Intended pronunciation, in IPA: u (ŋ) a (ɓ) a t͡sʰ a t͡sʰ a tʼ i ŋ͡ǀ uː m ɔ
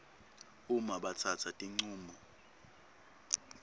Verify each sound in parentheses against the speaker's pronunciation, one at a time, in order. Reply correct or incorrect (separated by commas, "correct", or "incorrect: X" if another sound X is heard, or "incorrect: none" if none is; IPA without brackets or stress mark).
incorrect: m, correct